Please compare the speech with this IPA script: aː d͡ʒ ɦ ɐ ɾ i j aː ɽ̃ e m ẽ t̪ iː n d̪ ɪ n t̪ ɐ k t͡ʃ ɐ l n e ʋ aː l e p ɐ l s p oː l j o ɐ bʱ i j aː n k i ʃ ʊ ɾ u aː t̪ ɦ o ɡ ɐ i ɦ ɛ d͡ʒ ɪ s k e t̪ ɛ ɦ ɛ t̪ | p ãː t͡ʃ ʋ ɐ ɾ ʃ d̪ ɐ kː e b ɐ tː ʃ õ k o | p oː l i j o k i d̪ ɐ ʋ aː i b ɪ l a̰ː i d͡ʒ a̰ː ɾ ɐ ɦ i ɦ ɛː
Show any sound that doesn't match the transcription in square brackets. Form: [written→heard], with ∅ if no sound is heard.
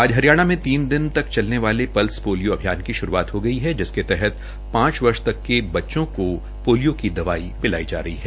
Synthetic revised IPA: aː d͡ʒ ɦ ɐ ɾ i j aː ɽ̃ [e→a] m ẽ t̪ iː n d̪ ɪ n t̪ ɐ k t͡ʃ ɐ l n e ʋ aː l e p ɐ l s p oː l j o ɐ bʱ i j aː n k i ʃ ʊ ɾ u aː t̪ ɦ o ɡ ɐ i ɦ ɛ d͡ʒ ɪ s k e t̪ ɛ ɦ ɛ t̪ | p ãː t͡ʃ ʋ ɐ ɾ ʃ [d̪→t̪] ɐ kː e b ɐ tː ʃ õ k o | p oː l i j o k i d̪ ɐ ʋ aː i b ɪ l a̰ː i d͡ʒ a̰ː ɾ ɐ ɦ i ɦ ɛː

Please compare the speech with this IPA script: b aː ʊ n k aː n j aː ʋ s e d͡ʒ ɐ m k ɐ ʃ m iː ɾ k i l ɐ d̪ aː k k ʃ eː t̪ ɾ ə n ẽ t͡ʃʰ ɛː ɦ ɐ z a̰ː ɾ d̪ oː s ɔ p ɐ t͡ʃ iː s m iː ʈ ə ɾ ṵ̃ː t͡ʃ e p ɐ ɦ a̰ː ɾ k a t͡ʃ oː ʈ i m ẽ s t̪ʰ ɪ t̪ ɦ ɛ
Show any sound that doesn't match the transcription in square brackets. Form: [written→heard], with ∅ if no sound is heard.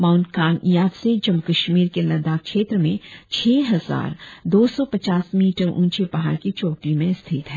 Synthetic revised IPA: [b→m] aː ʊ n k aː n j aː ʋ s e d͡ʒ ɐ m k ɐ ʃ m iː ɾ k [i→e] l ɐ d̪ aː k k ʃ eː t̪ ɾ ə [n→m] ẽ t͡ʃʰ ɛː ɦ ɐ z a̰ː ɾ d̪ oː s ɔ p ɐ t͡ʃ [iː→aː] s m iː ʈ ə ɾ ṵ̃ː t͡ʃ e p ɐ ɦ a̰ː ɾ k [a→i] t͡ʃ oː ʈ i m ẽ s t̪ʰ ɪ t̪ ɦ ɛ

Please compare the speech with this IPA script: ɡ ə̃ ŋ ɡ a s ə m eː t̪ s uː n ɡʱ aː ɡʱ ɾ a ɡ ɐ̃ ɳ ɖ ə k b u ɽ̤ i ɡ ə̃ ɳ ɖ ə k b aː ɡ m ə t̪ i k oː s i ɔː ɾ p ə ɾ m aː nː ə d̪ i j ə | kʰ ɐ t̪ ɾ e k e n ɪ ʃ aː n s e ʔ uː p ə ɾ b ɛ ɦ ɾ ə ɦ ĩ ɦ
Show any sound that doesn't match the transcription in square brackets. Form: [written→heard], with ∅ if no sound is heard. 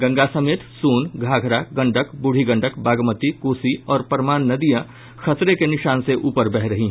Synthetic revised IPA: ɡ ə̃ ŋ ɡ a s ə m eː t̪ s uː n ɡʱ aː ɡʱ ɾ a ɡ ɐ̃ ɳ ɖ ə k b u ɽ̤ i ɡ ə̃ ɳ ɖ ə k b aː ɡ m ə t̪ i k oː s i ɔː ɾ p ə ɾ m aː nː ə d̪ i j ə | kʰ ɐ t̪ ɾ e k e n ɪ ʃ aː n s e ʔ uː p ə ɾ b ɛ ɦ ɾ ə ɦ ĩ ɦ

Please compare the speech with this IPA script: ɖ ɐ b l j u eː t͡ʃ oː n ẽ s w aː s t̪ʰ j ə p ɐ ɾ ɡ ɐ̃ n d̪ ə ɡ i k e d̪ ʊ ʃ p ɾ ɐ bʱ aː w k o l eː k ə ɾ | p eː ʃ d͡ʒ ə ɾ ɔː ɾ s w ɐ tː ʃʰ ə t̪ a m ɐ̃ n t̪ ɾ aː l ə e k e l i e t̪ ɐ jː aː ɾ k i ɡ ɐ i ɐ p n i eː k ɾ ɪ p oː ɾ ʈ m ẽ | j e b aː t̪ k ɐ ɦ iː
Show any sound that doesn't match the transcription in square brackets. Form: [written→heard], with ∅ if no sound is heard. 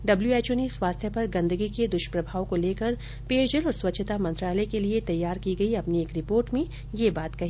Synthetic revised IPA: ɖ ɐ b l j u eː t͡ʃ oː n [ẽ→e] s w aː s t̪ʰ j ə p ɐ ɾ ɡ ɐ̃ n d̪ ə ɡ i k e d̪ ʊ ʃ p ɾ ɐ bʱ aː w k o l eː k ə ɾ | p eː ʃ d͡ʒ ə [ɾ→l] ɔː ɾ s w ɐ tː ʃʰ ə t̪ a m ɐ̃ n t̪ ɾ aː l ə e k e l i e t̪ ɐ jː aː ɾ k i ɡ ɐ i ɐ p n i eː k ɾ ɪ p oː ɾ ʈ m ẽ | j e b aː t̪ k ɐ ɦ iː

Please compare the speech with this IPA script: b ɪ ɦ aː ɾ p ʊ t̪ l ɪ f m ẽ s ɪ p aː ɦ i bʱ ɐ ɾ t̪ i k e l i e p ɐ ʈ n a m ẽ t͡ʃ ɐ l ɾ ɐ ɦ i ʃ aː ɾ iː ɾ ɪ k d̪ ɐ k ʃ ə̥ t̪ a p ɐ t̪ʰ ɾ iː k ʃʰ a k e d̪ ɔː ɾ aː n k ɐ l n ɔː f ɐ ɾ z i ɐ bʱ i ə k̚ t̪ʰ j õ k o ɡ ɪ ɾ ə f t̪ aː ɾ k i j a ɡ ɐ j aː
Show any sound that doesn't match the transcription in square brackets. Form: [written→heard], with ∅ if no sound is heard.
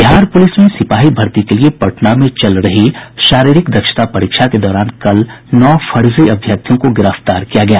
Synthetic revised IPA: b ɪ ɦ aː ɾ p ʊ [t̪→∅] l ɪ [f→s] m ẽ s ɪ p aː ɦ i bʱ ɐ ɾ t̪ i k e l i e p ɐ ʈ n a m ẽ t͡ʃ ɐ l ɾ ɐ ɦ i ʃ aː ɾ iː ɾ ɪ k d̪ ɐ k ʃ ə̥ t̪ a p ɐ [t̪ʰ→∅] ɾ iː k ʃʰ a k e d̪ ɔː ɾ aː n k ɐ l n ɔː f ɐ ɾ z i ɐ bʱ [i→j] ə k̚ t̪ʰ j õ k o ɡ ɪ ɾ ə f t̪ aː ɾ k i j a ɡ ɐ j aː

